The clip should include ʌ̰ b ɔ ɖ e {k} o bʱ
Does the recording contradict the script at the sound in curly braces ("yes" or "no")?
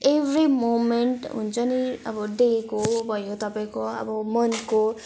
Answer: no